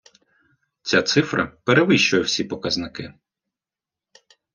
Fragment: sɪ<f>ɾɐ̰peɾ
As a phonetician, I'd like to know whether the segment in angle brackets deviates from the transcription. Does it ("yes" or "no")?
no